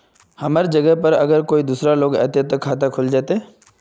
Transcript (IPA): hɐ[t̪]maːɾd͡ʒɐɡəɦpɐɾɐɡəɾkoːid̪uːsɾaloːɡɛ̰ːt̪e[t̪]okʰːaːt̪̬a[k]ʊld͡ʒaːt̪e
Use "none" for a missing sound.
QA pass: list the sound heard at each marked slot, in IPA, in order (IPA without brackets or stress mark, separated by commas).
none, t̪, kʰ